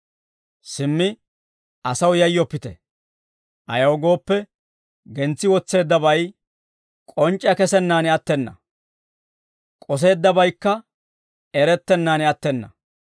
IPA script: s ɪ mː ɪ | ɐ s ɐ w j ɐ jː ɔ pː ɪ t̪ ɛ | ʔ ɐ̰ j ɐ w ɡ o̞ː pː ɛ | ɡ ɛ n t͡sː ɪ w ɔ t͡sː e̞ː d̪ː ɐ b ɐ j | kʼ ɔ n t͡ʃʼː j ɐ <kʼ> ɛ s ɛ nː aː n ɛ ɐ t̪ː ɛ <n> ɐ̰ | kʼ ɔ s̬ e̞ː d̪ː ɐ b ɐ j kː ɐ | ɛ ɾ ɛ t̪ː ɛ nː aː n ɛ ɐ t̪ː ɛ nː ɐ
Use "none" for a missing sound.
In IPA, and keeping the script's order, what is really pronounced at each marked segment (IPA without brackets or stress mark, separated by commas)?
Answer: k, nː